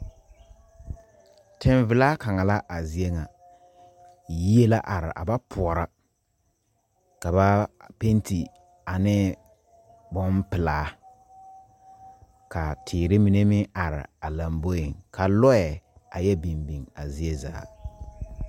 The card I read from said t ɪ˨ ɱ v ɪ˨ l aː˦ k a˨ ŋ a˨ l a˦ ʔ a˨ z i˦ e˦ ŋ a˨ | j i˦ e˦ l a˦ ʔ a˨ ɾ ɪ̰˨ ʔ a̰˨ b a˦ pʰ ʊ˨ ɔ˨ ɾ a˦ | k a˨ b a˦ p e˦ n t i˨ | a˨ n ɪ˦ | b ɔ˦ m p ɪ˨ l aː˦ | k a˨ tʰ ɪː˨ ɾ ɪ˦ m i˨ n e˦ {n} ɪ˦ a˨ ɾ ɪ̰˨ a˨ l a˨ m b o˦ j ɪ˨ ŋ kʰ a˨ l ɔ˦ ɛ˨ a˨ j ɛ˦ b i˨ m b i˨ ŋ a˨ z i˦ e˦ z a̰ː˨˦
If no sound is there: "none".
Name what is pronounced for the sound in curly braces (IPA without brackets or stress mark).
m